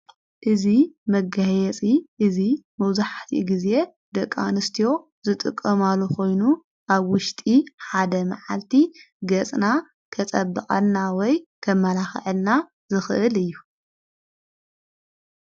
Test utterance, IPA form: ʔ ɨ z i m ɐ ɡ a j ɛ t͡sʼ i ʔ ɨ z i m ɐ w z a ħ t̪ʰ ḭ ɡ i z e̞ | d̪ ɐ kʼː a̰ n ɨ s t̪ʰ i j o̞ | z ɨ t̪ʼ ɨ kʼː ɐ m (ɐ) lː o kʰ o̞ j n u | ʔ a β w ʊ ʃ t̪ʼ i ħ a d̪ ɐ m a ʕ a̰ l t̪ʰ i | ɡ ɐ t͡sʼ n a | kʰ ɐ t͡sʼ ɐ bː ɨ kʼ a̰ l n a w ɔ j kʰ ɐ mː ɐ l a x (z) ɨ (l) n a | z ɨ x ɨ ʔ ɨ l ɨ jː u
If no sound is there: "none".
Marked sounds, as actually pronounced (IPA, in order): a, ʕ, l

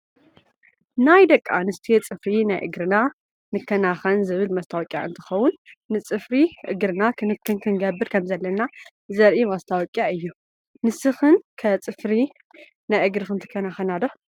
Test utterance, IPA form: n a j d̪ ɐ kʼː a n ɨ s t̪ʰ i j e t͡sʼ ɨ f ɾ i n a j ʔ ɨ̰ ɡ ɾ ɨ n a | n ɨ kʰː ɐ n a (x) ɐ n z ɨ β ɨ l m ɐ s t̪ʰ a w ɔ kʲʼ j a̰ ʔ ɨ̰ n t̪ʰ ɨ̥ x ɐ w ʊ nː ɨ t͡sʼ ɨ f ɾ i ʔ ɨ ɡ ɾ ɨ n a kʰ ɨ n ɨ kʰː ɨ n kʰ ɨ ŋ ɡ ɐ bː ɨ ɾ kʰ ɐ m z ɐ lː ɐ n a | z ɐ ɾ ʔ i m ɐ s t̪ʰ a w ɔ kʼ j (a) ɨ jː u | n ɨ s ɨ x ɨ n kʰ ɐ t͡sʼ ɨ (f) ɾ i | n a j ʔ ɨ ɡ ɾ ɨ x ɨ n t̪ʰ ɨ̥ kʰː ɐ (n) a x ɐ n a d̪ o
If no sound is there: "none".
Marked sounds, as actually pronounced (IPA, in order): x, a, f, n

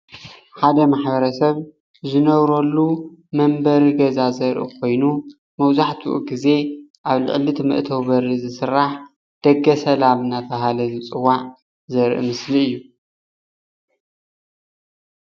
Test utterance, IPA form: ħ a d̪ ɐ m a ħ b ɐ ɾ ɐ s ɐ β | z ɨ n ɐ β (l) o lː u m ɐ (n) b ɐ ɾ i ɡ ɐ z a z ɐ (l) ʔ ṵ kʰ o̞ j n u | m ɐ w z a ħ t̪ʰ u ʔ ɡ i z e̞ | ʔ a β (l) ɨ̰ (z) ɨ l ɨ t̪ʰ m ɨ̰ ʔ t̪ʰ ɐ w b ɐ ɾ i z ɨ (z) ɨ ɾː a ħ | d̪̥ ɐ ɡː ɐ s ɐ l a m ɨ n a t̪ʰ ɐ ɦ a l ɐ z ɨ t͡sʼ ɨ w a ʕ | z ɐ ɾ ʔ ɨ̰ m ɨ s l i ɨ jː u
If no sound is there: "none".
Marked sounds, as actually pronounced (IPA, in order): ɾ, m, ɾ, l, ʕ, s

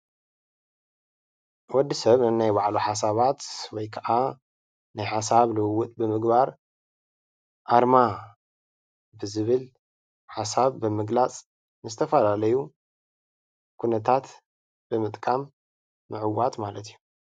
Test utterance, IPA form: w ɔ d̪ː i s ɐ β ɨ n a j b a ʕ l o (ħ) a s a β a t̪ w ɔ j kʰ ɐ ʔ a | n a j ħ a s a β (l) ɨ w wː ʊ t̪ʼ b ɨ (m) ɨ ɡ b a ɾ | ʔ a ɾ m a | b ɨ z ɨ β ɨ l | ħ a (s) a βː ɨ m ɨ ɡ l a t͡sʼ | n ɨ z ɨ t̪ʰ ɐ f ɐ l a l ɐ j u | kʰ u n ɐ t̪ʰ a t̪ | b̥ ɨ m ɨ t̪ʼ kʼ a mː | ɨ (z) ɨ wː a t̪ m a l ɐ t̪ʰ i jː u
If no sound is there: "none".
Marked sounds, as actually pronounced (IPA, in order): ħ, l, m, s, ʕ

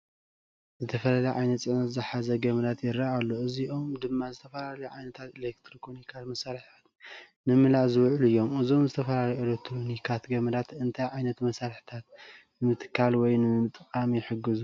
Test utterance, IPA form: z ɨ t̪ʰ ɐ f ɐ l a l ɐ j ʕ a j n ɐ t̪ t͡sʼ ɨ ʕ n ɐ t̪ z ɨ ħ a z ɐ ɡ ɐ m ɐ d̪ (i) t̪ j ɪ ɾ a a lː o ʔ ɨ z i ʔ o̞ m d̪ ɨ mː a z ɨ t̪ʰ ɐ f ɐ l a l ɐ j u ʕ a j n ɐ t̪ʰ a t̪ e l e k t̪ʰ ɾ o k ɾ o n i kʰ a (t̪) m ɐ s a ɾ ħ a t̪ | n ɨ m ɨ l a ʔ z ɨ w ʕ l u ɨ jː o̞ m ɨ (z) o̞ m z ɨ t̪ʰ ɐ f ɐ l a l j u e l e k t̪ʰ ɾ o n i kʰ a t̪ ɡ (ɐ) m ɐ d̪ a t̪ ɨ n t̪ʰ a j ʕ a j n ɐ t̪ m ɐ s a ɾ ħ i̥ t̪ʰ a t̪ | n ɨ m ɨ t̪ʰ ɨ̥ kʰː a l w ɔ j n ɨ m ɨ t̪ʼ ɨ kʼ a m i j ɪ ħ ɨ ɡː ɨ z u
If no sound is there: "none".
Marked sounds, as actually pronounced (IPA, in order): a, t̪, z, ɐ

